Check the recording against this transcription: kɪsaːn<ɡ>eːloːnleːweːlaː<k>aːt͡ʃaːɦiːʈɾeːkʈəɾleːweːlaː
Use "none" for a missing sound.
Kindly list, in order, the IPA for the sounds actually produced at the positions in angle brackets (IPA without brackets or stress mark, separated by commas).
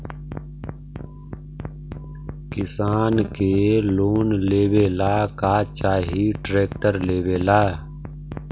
k, k